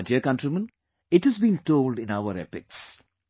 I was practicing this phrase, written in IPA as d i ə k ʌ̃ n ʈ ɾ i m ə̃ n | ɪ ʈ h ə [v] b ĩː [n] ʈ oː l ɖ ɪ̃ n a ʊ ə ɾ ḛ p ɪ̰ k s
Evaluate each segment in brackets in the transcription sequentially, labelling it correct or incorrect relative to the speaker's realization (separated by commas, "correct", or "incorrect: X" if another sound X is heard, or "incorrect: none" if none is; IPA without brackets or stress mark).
incorrect: z, correct